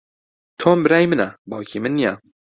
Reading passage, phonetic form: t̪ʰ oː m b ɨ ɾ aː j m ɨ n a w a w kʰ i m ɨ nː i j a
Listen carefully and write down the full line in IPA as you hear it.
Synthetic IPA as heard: t̪ʰ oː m b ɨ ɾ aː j m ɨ n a b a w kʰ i m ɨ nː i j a